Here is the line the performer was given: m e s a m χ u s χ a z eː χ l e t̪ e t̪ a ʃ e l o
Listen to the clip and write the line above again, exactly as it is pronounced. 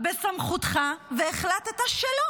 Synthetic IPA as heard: b e s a m χ u t χ a v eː χ l a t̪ e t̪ a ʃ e l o